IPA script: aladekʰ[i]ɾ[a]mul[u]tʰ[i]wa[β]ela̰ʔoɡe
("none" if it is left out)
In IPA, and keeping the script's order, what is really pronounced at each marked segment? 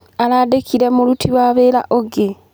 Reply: i, e, u, i, β

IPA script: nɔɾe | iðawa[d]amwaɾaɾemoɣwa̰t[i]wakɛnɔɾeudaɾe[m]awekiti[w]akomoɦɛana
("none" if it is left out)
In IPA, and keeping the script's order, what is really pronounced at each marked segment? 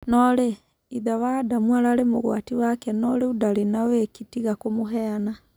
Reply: d, i, n, ɣ

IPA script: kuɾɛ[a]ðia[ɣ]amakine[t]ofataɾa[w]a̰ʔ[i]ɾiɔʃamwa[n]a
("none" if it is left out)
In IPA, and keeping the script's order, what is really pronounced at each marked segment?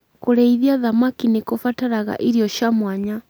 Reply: i, ð, k, ɣ, i, ɲ

